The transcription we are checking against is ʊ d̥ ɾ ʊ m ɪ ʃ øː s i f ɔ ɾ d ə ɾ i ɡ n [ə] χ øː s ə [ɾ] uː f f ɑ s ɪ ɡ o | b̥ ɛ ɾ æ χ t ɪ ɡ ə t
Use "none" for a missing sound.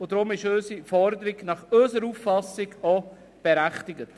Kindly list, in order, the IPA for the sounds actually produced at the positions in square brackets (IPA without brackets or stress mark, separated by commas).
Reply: ɑ, ɾ